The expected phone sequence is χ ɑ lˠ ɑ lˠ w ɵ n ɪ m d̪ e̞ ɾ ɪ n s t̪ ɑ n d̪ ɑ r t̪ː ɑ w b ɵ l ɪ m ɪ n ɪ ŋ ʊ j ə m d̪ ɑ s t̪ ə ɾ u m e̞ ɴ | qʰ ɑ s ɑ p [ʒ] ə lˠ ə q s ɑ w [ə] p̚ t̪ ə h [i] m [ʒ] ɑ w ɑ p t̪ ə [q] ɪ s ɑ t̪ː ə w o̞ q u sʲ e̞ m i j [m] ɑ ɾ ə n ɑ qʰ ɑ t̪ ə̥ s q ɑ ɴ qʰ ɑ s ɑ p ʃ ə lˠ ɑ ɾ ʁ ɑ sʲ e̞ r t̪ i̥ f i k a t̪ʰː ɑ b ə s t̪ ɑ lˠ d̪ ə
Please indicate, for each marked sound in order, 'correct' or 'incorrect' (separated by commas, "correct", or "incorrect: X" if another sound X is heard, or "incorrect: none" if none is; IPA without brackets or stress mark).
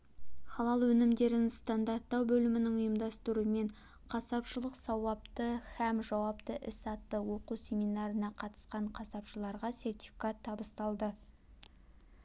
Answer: incorrect: ʃ, incorrect: ɑ, incorrect: æ, correct, incorrect: ʔ, incorrect: n